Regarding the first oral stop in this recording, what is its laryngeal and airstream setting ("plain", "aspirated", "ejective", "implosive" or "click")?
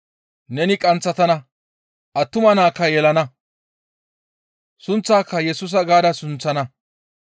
ejective